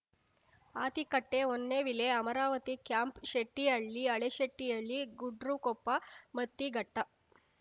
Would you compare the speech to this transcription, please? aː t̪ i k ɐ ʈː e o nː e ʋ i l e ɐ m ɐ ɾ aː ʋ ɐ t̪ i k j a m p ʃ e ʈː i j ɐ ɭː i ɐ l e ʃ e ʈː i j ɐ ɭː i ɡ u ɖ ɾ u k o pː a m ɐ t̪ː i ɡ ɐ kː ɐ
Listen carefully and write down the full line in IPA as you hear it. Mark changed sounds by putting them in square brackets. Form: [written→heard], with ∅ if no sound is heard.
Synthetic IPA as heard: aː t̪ i k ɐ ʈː e o nː e ʋ i l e ɐ m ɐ ɾ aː ʋ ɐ t̪ i k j a m p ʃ e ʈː i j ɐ ɭː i ɐ [l→ɭ] e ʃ e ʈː i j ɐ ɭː i ɡ u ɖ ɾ u k o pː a m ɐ t̪ː i ɡ ɐ [kː→ʈː] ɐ